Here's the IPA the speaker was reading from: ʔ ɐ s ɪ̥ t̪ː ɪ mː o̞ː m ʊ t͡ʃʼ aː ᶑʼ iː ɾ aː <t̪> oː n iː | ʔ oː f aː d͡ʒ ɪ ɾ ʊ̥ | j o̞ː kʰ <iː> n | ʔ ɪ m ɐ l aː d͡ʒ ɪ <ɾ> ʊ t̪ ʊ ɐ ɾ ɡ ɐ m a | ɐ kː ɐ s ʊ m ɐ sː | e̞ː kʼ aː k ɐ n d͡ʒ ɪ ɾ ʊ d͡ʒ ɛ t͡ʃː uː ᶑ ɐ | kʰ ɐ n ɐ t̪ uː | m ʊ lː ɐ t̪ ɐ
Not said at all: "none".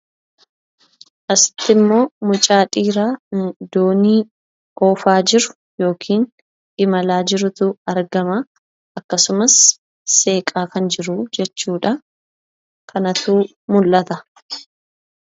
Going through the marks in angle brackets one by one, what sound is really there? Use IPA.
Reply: d̪, iː, ɾ

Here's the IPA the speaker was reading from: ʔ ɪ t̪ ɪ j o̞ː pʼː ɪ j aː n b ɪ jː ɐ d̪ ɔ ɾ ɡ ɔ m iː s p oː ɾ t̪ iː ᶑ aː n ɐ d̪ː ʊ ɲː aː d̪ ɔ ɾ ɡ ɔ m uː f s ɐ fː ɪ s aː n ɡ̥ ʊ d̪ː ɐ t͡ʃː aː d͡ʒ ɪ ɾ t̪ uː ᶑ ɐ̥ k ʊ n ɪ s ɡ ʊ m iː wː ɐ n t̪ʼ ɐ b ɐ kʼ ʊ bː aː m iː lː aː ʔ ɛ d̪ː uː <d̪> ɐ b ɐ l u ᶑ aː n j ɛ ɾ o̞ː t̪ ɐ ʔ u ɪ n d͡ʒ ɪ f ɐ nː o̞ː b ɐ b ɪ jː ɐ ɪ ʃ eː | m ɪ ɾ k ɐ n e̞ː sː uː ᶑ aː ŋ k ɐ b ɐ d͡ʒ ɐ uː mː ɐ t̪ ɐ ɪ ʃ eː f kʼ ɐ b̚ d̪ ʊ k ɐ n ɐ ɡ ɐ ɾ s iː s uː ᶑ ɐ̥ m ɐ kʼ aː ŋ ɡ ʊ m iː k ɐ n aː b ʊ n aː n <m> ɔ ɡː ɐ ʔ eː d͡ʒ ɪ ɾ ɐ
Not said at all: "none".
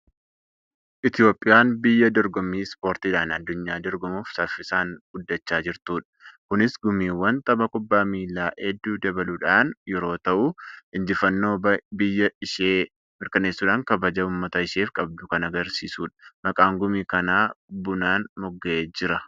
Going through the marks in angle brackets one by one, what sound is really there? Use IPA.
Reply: d̪, m

